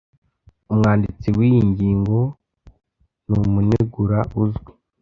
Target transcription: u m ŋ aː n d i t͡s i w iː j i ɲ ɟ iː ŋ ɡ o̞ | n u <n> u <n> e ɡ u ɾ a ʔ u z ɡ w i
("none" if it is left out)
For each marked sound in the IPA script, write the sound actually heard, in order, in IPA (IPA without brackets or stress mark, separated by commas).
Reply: m, n